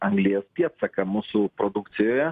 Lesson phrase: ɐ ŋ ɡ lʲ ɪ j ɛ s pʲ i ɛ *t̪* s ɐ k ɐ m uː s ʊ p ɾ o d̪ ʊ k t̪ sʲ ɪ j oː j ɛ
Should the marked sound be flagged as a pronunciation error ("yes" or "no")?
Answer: no